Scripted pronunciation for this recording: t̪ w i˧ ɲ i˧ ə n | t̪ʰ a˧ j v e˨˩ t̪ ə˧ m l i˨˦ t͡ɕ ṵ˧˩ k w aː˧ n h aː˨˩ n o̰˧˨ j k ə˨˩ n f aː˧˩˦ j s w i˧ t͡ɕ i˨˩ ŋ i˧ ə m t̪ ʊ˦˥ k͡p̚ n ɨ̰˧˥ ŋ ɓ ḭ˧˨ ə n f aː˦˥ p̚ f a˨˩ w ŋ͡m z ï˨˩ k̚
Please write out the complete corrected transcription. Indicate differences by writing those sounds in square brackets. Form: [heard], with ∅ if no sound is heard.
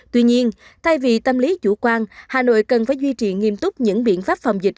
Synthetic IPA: t̪ w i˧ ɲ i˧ ə n | t̪ʰ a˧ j v [i˨˩] t̪ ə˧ m l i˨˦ t͡ɕ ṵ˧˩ k w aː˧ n h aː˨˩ n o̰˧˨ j k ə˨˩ n f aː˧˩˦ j [z] w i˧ t͡ɕ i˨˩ ŋ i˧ ə m t̪ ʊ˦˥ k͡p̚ [ɲ] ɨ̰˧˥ ŋ ɓ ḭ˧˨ ə n f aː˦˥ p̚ f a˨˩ w ŋ͡m z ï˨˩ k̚